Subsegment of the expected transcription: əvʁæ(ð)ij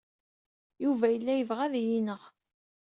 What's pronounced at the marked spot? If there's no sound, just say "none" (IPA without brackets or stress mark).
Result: ð